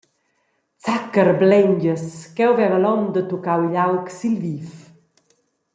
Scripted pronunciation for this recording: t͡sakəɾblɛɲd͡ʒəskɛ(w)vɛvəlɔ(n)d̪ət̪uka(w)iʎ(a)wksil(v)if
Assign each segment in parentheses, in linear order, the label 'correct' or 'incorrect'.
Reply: correct, incorrect: m, correct, correct, correct

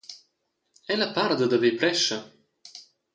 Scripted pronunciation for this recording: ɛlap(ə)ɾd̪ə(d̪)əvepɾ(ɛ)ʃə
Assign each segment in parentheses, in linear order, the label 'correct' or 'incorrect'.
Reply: incorrect: a, correct, correct

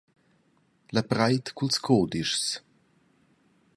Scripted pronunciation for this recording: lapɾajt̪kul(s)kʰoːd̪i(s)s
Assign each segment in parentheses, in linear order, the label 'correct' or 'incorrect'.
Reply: correct, incorrect: ʃ

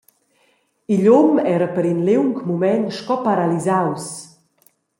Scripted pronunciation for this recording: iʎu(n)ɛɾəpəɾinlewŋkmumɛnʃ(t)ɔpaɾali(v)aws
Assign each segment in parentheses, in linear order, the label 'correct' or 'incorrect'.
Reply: incorrect: m, incorrect: k, incorrect: z

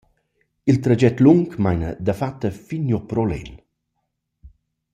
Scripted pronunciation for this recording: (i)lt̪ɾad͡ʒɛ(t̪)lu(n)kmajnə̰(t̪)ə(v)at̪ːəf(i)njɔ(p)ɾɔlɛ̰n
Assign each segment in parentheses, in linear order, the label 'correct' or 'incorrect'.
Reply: correct, correct, incorrect: ŋ, incorrect: d̪, incorrect: f, correct, correct

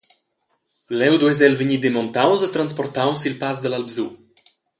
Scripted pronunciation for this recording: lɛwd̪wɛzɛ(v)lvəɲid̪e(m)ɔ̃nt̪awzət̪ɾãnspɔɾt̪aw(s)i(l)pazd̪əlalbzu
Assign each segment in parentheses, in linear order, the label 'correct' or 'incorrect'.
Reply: incorrect: none, correct, correct, correct

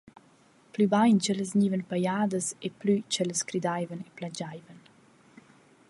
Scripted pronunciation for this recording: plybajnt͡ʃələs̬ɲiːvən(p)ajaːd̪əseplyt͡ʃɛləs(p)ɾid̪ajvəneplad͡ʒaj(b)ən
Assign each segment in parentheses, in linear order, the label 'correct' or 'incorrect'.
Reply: correct, incorrect: k, incorrect: v

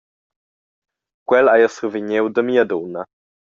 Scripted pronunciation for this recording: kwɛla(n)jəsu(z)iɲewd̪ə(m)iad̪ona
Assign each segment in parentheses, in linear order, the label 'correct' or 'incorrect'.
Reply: incorrect: none, incorrect: v, correct

